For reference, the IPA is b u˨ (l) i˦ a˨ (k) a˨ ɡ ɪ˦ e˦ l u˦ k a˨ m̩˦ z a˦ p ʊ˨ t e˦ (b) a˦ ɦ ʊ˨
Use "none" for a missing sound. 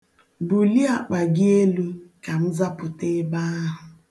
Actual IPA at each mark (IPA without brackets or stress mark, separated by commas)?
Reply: l, k͡p, b